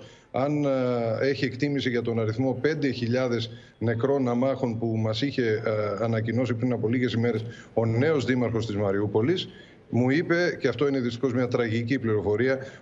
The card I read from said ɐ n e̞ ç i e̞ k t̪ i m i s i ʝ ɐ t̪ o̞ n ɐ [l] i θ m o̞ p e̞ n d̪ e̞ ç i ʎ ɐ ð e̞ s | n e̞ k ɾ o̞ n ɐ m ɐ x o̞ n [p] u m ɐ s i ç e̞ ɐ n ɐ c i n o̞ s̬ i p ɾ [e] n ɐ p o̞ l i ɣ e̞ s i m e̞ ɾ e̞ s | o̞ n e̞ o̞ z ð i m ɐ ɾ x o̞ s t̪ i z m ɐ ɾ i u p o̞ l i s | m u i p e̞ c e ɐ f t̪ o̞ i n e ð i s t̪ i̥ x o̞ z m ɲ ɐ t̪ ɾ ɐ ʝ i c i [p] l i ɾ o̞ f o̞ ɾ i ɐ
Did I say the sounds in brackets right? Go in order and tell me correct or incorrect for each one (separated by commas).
incorrect, correct, incorrect, correct